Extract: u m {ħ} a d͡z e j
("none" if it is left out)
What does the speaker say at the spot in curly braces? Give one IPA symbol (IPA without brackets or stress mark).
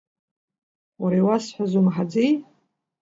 ħ